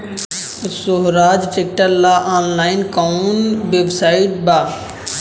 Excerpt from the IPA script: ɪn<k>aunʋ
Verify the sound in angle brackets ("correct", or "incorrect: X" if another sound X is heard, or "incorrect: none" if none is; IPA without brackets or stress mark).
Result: correct